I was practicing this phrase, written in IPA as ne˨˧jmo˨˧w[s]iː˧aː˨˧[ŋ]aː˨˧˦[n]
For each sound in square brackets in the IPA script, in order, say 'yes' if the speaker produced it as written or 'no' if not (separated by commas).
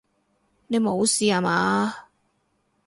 yes, no, no